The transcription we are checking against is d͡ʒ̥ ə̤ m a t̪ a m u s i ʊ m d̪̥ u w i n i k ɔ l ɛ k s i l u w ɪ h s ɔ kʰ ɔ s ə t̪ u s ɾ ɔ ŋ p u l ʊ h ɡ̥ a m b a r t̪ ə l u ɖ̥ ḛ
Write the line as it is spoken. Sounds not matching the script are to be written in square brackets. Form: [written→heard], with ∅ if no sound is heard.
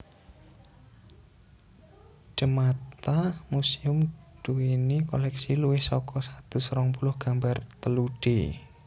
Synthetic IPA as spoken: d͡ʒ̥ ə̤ m a t̪ a m u s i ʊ m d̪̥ u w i n i k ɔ l ɛ k s i l u w ɪ h s ɔ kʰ ɔ s [ə→a] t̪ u s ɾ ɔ ŋ p u l ʊ h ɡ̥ a m b a r t̪ ə l u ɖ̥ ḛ